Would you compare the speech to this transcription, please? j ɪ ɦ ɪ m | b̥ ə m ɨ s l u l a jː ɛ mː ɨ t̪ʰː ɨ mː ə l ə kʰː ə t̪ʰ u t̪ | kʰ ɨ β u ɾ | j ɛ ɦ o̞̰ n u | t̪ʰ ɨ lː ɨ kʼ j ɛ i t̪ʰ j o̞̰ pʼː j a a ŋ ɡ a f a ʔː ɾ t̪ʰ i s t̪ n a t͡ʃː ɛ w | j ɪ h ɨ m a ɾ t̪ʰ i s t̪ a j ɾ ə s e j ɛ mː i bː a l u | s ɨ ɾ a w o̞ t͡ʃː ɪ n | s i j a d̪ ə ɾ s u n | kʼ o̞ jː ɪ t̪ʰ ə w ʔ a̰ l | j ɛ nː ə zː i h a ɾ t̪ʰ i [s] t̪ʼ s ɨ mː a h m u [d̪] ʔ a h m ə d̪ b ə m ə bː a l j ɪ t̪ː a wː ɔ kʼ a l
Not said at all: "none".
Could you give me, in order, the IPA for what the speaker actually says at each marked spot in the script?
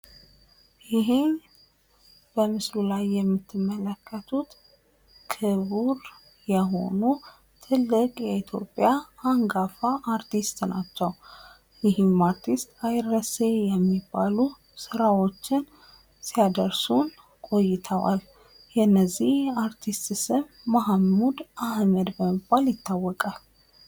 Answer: s, d̪

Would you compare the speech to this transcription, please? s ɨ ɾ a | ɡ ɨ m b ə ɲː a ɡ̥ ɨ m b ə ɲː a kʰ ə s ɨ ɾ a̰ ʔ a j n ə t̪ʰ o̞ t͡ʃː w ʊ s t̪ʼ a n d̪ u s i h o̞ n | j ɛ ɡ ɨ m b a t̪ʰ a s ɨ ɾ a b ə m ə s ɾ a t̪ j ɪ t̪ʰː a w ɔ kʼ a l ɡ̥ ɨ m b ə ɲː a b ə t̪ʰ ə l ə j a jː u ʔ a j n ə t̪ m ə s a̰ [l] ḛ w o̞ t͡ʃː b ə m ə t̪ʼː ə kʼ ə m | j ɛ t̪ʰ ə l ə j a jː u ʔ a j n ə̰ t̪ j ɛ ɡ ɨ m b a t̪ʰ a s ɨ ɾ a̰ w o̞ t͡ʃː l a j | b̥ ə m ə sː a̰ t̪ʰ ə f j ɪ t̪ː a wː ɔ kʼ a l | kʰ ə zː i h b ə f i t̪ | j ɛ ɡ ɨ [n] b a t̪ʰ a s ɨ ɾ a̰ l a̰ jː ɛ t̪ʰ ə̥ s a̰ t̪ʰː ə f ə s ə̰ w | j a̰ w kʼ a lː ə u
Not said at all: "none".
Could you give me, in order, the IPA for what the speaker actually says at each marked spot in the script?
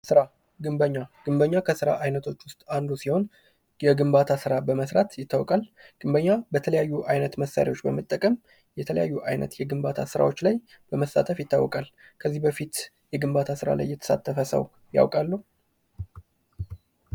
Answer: ɾ, m

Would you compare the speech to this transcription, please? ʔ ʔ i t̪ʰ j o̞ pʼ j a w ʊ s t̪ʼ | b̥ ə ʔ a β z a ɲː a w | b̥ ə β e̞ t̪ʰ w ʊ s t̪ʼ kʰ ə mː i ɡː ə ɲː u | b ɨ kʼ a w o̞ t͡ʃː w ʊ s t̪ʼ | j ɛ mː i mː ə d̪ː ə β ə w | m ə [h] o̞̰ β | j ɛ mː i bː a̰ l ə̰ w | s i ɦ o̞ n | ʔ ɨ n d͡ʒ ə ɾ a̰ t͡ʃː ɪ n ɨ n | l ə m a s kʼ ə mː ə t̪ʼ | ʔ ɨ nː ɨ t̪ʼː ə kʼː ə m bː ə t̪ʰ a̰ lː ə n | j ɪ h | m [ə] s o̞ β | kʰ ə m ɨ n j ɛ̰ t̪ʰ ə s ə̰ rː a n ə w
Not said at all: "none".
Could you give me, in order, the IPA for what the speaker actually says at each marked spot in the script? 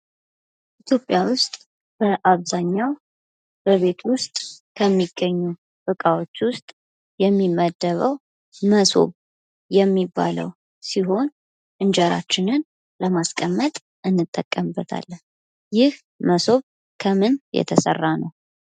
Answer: s, ə

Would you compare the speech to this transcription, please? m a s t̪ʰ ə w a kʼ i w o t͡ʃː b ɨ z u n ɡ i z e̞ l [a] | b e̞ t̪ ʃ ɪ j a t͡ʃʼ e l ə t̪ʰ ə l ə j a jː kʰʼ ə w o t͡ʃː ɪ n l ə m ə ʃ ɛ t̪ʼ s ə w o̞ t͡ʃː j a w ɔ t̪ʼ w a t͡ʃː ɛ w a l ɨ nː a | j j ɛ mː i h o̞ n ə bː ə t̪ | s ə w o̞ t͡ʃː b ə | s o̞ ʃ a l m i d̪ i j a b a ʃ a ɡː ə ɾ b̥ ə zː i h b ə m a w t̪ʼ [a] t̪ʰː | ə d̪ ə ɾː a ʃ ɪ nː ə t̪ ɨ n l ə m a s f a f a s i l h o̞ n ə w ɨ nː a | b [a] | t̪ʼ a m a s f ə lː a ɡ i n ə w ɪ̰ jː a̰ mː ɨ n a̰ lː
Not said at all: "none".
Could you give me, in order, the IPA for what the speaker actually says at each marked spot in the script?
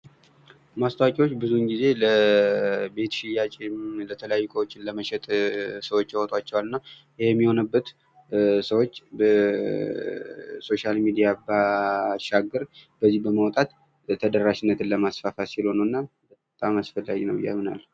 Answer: ə, a, ə

